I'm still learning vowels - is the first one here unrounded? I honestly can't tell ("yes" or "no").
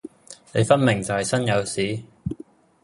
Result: yes